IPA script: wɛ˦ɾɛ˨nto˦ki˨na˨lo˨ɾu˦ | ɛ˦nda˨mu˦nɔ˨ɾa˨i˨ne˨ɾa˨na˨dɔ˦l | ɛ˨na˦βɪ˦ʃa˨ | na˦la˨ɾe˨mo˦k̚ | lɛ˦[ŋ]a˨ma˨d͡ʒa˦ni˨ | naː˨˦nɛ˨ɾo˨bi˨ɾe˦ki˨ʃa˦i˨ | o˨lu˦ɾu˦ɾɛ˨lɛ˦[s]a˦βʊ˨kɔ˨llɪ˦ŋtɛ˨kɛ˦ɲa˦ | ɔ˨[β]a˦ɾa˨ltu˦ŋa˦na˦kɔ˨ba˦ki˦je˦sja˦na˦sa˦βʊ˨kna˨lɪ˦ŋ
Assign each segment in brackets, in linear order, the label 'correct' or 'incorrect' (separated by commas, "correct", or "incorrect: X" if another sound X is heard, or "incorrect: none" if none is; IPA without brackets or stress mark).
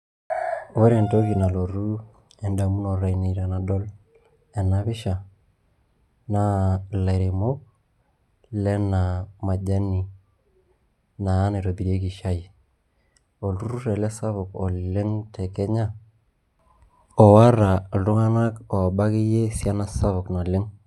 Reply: incorrect: n, correct, incorrect: w